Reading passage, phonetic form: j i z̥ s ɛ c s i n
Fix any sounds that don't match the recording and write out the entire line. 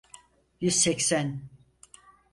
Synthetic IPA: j y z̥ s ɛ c s æ n